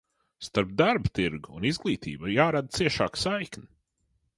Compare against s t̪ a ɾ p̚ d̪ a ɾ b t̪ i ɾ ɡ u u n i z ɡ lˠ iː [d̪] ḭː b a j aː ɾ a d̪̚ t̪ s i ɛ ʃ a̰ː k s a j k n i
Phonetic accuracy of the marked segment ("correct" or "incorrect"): incorrect